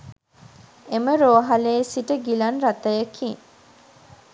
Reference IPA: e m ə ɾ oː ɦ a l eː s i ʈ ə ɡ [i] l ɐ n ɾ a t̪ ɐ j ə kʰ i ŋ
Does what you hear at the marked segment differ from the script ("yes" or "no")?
no